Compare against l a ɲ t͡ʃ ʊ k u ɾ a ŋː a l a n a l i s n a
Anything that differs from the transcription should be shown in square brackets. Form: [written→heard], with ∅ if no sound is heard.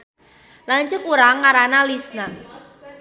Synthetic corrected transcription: l a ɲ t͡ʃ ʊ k u ɾ a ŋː a [l→ɾ] a n a l i s n a